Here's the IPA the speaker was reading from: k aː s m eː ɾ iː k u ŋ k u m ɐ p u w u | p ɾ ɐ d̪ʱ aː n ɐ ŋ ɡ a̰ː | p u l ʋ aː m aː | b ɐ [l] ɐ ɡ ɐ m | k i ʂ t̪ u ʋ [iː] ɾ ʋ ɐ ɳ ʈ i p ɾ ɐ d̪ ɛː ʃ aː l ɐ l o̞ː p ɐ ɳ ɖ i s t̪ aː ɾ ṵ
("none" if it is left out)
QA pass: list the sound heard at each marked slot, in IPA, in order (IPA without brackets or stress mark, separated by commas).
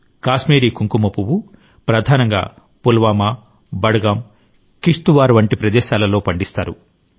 ɽ, aː